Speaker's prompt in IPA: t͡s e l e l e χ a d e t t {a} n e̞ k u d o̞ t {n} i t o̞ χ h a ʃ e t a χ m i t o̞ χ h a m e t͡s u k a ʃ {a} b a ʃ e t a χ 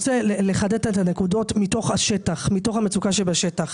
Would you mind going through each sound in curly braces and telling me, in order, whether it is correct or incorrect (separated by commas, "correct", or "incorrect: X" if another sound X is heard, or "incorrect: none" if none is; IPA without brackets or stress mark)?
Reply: correct, incorrect: m, incorrect: e